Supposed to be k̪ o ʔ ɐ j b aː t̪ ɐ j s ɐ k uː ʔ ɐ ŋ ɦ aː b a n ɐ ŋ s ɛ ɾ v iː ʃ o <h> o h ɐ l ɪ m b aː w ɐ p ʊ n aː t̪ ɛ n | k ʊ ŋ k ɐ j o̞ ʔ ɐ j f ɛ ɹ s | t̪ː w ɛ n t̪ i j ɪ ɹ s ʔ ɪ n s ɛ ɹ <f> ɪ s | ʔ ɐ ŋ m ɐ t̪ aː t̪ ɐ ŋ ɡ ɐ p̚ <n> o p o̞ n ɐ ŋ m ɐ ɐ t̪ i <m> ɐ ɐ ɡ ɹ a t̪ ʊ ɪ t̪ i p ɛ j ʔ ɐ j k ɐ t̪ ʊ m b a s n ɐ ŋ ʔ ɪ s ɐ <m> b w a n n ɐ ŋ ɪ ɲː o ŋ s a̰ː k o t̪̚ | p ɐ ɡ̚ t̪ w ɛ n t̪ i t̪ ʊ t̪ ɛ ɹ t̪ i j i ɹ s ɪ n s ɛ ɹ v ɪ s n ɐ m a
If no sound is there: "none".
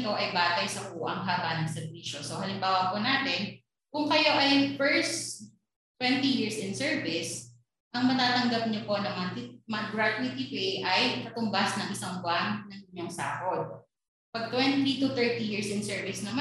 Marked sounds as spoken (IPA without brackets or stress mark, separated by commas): s, v, ɲ, m, ŋ